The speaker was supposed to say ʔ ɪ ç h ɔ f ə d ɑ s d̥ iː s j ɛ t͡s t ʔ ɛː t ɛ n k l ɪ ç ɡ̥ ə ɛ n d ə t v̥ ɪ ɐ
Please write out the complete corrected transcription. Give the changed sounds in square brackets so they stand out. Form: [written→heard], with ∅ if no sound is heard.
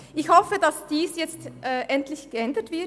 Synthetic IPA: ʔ ɪ ç h ɔ f ə d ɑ s d̥ iː s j ɛ t͡s t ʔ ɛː [t→ʔ] ɛ n [k→t] l ɪ ç ɡ̥ ə ɛ n d ə t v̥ ɪ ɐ